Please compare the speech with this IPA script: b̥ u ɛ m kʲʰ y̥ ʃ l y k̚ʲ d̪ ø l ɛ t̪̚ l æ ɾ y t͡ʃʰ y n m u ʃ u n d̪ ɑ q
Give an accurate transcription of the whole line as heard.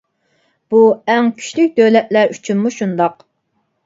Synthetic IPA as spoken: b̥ u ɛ ŋ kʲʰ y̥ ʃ l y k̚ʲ d̪ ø l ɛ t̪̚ l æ ɾ y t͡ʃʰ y n m u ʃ u n d̪ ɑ q